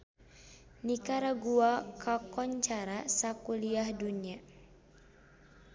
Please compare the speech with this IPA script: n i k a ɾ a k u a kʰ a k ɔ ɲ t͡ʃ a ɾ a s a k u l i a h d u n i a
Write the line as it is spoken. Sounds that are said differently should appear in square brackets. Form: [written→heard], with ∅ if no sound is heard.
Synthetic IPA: n i k a ɾ a [k→ɡ] u a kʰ a k ɔ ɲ t͡ʃ a ɾ a s a k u l i a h d u n i a